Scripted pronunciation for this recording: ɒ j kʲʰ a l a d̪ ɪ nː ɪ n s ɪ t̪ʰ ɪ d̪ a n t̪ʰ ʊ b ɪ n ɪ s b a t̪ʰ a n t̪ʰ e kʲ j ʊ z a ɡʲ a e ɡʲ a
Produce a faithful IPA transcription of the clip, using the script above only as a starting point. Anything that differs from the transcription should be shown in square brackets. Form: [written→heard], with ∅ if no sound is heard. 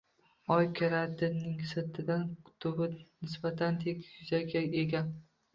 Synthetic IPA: ɒ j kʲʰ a [l→ɾ] a d̪ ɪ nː ɪ [n→ŋ] s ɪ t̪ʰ ɪ d̪ a n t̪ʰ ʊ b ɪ n ɪ s b a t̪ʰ a n t̪ʰ e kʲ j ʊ z a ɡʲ a e ɡʲ a